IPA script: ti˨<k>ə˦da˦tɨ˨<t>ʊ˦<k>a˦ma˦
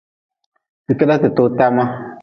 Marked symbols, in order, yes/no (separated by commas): yes, yes, no